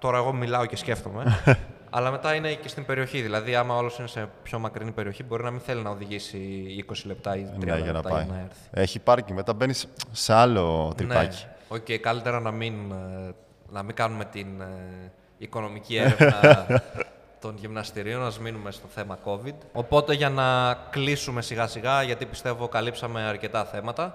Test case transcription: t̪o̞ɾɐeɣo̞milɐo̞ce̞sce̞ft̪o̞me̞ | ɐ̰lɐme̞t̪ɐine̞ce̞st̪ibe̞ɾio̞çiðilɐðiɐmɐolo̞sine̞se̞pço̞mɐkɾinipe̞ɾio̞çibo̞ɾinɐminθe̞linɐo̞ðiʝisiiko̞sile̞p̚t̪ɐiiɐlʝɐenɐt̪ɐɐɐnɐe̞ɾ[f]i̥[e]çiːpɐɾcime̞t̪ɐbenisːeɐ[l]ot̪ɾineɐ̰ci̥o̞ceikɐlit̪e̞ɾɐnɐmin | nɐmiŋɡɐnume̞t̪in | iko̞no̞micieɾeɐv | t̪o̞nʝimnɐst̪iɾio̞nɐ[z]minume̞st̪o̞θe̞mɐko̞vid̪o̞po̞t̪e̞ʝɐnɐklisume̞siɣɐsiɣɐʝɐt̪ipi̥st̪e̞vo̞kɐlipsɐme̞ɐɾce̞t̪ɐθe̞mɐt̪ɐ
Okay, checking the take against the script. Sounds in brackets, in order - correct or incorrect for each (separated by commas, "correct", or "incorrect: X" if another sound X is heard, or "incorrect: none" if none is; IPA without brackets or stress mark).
incorrect: θ, correct, correct, correct